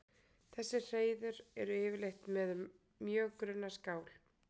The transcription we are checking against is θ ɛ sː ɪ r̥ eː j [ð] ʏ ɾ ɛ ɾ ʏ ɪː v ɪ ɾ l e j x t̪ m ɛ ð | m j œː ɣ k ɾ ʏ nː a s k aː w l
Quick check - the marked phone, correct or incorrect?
correct